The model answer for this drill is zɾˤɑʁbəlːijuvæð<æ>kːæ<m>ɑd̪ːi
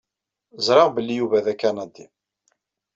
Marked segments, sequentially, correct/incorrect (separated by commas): correct, incorrect